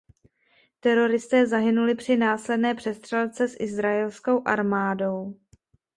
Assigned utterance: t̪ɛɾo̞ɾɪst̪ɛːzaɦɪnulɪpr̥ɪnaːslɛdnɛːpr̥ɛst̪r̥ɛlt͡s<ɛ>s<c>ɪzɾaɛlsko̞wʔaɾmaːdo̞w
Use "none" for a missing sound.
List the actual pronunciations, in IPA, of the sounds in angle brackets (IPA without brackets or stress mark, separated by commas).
ɛ, ʔ